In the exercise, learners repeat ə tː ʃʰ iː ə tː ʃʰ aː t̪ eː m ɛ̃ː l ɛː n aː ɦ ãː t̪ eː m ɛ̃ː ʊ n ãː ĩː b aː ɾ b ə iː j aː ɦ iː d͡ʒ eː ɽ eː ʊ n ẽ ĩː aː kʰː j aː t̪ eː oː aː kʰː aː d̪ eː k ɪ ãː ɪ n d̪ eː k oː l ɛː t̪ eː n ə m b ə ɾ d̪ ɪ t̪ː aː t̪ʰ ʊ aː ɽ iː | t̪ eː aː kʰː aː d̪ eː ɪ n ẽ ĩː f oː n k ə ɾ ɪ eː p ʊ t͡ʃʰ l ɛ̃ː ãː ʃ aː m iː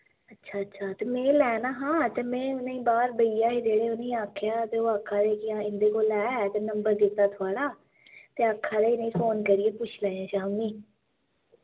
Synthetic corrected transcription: ə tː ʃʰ aː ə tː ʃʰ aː t̪ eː m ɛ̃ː l ɛː n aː ɦ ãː t̪ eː m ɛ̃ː ʊ n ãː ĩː b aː ɾ b ə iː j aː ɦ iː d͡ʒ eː ɽ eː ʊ n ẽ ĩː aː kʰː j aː t̪ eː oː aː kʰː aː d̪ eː k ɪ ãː ɪ n d̪ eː k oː l ɛː t̪ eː n ə m b ə ɾ d̪ ɪ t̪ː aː t̪ʰ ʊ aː ɽ aː | t̪ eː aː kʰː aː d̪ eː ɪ n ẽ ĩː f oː n k ə ɾ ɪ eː p ʊ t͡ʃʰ l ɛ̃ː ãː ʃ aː m iː